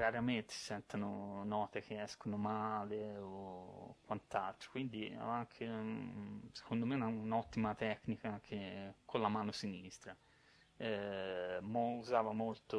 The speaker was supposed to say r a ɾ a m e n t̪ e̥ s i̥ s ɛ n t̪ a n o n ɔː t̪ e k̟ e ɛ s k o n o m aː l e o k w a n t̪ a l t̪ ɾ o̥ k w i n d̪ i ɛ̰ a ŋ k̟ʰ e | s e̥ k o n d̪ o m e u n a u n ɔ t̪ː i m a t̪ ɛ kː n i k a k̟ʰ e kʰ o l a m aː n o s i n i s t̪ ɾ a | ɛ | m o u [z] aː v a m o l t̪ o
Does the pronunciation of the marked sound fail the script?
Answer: no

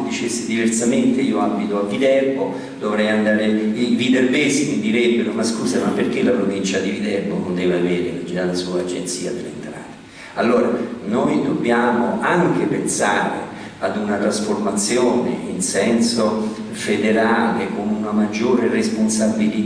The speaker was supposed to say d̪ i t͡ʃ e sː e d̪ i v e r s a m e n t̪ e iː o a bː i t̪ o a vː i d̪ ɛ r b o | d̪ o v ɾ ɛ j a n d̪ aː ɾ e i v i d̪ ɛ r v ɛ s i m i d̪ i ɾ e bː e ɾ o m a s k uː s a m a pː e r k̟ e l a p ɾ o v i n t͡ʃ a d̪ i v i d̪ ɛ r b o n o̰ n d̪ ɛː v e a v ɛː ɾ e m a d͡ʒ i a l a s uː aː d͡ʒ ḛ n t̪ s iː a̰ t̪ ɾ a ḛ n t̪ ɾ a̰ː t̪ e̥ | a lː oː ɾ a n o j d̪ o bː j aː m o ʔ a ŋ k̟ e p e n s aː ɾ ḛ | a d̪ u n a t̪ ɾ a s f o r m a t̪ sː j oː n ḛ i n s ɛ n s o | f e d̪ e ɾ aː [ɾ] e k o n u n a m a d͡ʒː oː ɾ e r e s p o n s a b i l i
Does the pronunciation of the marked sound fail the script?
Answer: yes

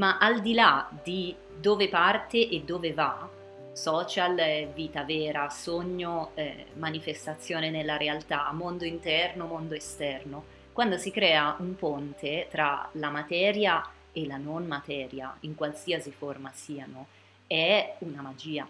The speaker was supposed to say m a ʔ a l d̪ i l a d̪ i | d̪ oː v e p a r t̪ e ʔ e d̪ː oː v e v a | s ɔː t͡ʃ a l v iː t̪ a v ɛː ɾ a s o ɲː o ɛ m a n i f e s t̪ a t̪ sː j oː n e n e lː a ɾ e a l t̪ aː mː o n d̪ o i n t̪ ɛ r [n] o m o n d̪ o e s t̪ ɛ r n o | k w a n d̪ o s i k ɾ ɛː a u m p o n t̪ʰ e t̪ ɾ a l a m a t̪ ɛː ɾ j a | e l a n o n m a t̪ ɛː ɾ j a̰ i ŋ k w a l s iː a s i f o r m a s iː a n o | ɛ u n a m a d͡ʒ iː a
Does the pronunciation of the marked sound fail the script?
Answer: no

